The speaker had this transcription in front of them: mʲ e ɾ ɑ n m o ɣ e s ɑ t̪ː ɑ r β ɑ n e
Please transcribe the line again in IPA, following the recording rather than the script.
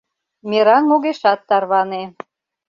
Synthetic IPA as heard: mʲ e ɾ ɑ n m o ɣ e ʃ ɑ t̪ː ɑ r β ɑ n e